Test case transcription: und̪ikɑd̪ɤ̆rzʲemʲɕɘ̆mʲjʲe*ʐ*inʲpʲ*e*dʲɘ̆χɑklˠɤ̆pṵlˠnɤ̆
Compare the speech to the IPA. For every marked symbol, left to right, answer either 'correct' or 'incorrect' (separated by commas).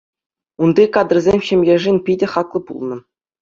correct, incorrect